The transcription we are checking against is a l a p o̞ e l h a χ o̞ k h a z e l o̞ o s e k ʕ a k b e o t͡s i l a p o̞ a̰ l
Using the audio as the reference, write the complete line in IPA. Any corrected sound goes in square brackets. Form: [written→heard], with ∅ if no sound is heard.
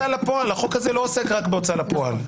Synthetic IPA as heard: a l a p o̞ [e→a] l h a χ o̞ k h a z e l o̞ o s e k [ʕ→ʁ] a k b e o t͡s [i→a] l a p o̞ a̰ l